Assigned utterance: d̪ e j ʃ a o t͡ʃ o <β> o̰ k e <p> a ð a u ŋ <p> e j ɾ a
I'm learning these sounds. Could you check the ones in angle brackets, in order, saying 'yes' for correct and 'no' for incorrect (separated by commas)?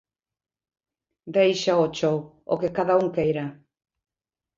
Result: no, no, no